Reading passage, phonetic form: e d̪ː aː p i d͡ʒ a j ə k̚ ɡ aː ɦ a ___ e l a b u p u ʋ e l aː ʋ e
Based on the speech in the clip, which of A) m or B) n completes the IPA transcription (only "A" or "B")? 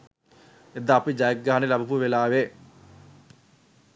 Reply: B